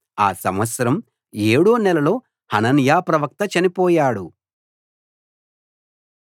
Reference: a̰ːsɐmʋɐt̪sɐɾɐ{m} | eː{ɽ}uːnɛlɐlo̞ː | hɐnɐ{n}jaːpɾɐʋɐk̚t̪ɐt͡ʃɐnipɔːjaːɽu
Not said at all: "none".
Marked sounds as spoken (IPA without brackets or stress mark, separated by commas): m, ɽ, n